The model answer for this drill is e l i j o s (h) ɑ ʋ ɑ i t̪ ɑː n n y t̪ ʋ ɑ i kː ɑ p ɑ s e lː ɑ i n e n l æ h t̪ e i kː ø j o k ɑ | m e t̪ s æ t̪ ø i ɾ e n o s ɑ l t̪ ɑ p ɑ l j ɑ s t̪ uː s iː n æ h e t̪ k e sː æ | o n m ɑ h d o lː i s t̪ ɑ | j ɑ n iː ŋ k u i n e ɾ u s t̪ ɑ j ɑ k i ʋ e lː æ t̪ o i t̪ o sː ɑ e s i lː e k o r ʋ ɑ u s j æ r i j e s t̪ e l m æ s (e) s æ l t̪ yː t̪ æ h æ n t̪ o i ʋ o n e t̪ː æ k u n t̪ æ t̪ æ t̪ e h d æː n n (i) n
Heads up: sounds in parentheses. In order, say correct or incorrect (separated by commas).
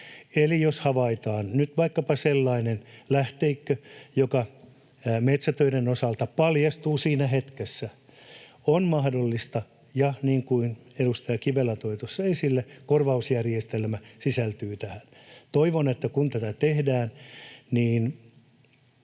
correct, incorrect, incorrect